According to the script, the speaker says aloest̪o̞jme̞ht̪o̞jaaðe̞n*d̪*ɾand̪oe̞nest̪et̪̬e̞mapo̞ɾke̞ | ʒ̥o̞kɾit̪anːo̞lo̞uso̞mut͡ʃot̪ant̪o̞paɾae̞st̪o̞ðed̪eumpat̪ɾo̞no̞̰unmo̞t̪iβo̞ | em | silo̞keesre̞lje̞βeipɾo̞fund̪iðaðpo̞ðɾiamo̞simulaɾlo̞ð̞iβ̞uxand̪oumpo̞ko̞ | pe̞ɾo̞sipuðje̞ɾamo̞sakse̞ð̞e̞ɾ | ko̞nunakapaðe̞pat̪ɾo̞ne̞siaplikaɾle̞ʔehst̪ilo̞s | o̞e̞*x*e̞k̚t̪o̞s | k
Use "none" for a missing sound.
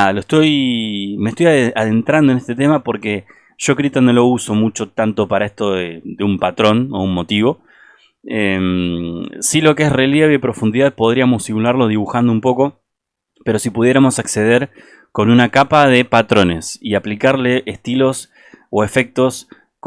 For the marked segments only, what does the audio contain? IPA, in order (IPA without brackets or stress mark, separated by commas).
t̪, f